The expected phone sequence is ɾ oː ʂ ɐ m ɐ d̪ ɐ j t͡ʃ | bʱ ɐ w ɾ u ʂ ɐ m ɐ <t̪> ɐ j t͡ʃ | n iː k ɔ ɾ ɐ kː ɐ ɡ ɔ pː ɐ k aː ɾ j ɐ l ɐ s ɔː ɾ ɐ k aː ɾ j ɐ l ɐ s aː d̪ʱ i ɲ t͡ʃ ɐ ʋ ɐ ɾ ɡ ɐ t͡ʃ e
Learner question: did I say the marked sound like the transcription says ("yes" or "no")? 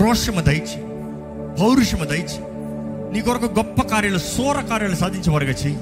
no